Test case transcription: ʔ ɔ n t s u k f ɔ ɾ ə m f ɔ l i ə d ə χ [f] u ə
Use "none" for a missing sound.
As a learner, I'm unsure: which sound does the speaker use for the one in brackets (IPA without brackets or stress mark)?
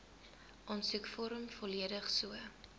s